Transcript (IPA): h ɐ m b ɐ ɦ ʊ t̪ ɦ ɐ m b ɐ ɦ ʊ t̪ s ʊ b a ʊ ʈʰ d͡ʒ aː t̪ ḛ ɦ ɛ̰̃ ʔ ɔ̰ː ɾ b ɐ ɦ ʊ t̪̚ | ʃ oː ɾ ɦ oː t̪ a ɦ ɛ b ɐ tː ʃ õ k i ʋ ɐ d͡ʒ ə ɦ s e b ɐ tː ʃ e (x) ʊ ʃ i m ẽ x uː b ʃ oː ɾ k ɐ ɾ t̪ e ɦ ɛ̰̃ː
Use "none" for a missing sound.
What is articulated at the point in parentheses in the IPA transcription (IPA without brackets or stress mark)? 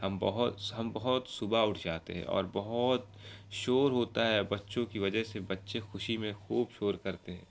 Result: x